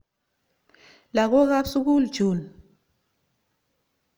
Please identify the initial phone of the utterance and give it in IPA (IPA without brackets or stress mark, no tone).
l